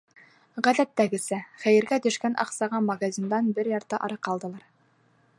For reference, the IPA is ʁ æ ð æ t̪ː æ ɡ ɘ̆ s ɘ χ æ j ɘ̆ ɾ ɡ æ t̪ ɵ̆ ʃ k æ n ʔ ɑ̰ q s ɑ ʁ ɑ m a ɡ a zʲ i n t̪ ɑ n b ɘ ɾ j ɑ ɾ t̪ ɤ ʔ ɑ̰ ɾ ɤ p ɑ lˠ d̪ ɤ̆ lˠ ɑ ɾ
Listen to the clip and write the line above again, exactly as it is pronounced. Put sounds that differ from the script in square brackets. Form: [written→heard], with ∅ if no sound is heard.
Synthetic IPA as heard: ʁ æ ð æ t̪ː æ ɡ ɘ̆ s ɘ χ æ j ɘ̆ ɾ ɡ æ t̪ ɵ̆ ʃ k æ n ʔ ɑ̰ q s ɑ ʁ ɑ m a ɡ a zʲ i n [t̪→d̪] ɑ n b ɘ ɾ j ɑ ɾ t̪ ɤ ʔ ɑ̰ ɾ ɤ [p→q] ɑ lˠ d̪ ɤ̆ lˠ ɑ ɾ